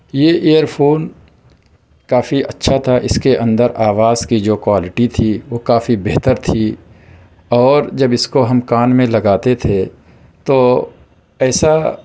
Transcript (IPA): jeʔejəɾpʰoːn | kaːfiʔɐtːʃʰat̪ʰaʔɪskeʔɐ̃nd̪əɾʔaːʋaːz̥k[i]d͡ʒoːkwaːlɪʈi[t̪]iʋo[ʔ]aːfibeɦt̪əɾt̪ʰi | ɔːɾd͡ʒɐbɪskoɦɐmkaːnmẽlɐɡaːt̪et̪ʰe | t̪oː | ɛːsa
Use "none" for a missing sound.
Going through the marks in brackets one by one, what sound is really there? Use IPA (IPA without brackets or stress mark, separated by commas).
i, t̪ʰ, k